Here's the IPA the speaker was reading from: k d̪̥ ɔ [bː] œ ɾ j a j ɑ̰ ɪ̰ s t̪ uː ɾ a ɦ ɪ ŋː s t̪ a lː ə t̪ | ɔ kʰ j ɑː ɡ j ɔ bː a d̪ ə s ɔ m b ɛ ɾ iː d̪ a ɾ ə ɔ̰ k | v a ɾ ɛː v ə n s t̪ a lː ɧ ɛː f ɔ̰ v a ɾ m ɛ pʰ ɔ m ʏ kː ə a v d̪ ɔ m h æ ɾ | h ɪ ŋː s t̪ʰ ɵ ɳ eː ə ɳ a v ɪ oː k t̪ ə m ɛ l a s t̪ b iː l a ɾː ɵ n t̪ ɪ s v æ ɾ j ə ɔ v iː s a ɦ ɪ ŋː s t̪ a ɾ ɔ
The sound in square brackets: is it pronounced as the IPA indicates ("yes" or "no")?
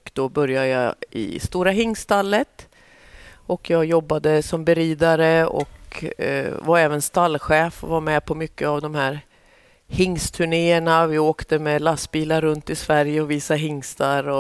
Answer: no